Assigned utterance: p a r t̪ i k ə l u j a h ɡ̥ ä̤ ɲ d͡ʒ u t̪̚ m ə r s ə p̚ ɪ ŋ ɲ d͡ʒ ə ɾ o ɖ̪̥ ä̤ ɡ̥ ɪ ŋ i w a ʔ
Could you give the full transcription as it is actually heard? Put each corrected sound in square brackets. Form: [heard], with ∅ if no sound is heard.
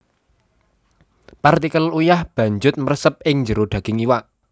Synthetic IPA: p a r t̪ i k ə l u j a h [b̥] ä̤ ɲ d͡ʒ [ʊ] t̪̚ m ə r s ə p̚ ɪ ŋ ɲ d͡ʒ ə ɾ o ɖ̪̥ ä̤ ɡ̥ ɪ ŋ i w a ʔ